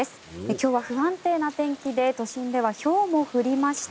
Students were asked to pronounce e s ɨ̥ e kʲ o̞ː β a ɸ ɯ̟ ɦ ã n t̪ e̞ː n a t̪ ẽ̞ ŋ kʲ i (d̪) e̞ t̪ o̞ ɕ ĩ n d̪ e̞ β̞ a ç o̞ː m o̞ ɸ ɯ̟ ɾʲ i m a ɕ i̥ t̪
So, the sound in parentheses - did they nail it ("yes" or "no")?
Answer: yes